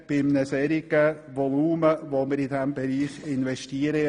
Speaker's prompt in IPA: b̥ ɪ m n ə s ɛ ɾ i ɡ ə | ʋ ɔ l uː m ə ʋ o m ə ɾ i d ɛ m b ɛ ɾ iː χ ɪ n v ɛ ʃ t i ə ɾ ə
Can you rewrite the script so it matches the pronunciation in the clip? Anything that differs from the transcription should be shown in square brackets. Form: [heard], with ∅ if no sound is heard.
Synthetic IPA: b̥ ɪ m n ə s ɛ ɾ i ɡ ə | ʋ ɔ l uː m ə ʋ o m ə ɾ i d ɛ m b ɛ ɾ iː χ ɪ n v ɛ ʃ t i ə ɾ ə